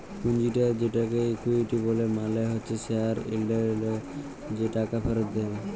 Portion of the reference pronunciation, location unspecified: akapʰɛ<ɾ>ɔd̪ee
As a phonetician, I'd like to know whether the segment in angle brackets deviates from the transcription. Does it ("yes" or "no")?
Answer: no